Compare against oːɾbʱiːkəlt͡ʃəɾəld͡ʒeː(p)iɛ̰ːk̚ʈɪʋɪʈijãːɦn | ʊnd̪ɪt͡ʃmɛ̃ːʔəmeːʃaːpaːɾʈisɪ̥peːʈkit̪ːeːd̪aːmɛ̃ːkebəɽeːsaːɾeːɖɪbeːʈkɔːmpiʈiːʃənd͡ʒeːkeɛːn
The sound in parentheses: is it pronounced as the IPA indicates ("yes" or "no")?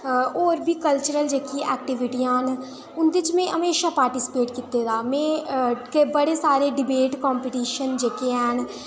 no